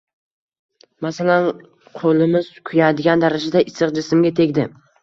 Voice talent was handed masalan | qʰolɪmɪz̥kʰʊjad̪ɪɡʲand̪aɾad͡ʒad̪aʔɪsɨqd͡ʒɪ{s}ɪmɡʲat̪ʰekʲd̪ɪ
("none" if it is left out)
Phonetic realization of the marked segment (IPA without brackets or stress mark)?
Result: s